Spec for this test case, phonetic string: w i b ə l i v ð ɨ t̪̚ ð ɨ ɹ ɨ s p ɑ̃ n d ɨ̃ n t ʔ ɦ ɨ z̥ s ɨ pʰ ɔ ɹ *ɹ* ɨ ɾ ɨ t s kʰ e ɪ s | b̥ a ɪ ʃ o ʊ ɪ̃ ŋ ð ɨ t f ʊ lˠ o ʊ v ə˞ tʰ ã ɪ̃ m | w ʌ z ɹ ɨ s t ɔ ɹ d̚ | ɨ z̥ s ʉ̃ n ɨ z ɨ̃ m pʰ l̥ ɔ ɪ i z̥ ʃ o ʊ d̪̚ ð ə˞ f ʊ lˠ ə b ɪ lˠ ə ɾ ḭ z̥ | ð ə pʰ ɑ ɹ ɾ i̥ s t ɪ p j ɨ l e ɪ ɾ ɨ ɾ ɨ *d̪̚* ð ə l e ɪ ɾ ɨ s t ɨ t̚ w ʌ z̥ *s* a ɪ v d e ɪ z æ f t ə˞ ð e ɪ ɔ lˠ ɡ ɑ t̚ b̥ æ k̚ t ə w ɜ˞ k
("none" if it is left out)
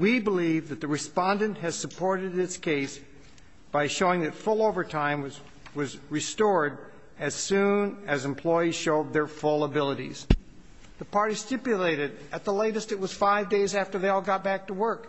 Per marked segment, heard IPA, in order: ɾ, t̪̚, f

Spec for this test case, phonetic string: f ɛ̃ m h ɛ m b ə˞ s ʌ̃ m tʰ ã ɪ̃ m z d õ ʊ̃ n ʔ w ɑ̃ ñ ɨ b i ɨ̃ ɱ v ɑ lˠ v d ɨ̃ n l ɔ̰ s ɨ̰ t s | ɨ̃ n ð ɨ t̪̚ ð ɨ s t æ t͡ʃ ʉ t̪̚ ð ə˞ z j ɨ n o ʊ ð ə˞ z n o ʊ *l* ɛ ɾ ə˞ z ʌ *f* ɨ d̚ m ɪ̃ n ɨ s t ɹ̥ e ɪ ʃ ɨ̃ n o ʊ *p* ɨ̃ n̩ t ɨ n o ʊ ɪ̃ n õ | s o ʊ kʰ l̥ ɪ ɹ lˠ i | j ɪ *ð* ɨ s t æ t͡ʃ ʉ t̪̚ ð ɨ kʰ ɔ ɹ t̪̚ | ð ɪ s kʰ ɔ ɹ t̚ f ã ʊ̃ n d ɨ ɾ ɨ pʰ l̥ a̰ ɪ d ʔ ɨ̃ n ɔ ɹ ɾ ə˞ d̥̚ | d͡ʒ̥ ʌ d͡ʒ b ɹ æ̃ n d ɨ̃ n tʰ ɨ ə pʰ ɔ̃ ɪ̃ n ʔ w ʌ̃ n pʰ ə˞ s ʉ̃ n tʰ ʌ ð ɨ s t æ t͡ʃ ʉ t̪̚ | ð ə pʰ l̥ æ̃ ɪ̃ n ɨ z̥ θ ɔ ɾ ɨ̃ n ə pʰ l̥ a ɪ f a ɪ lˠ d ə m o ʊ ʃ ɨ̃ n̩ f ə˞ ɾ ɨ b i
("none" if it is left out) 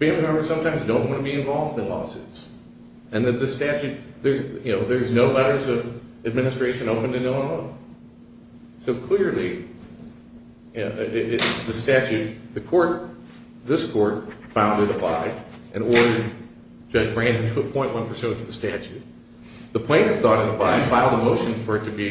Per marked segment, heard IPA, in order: l, v, p, ð

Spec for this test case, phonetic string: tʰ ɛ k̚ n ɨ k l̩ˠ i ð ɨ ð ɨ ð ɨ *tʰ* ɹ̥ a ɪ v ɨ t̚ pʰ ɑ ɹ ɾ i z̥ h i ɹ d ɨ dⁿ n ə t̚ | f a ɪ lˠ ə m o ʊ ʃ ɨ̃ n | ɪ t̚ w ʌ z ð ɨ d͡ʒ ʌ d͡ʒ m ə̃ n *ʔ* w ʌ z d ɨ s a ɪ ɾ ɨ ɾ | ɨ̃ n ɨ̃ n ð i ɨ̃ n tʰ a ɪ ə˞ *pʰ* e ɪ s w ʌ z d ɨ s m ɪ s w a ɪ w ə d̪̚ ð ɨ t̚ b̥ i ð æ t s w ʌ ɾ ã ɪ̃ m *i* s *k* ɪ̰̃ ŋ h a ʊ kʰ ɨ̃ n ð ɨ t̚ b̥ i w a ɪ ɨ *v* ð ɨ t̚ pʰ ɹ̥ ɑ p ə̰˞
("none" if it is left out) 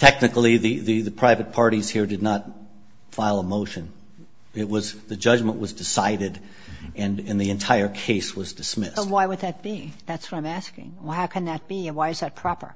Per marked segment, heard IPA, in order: pʰ, ʔ, kʰ, æ, k, z

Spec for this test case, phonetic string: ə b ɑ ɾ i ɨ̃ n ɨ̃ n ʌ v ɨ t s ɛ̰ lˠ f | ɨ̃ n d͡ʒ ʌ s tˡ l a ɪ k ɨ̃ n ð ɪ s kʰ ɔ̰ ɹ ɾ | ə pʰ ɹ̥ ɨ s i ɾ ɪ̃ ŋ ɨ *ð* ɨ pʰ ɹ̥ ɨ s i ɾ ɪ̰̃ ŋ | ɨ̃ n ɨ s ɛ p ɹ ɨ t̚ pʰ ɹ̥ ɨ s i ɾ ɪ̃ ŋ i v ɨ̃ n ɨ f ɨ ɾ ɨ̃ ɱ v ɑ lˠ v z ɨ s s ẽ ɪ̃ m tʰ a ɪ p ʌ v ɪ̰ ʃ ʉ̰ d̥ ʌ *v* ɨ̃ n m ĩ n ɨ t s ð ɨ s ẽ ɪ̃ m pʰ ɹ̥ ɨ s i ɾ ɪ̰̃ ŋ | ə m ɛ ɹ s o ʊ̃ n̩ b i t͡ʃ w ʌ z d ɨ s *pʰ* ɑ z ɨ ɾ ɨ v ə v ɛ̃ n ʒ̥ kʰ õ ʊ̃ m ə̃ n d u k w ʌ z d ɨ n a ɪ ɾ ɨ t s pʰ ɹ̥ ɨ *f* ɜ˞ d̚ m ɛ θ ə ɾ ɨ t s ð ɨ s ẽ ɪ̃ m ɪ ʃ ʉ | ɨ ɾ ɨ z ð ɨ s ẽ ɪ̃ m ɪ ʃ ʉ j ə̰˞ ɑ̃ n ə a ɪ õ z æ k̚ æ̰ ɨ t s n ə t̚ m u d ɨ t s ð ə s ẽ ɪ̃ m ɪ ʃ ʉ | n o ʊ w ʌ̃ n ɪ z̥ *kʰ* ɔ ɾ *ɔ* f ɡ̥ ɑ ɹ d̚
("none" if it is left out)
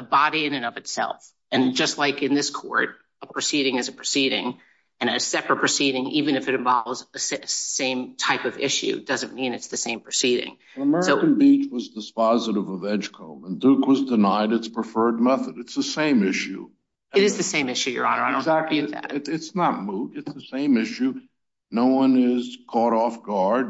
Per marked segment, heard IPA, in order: z, z, p, f, kʰ, ɔ

